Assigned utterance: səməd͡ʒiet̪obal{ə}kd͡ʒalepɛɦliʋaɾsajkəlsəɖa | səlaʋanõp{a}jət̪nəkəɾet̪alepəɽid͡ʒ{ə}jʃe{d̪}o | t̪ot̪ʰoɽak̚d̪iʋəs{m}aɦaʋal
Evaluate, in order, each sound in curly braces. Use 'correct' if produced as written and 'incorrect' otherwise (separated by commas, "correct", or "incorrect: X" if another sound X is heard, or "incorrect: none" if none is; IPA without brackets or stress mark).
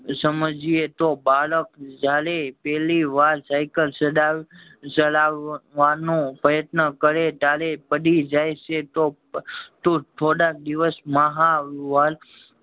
correct, incorrect: ə, incorrect: a, incorrect: t̪, correct